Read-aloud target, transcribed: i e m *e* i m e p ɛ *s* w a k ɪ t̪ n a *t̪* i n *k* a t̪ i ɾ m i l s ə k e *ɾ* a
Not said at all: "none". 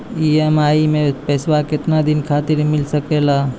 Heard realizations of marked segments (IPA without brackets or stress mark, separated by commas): a, s, d̪, kʰ, l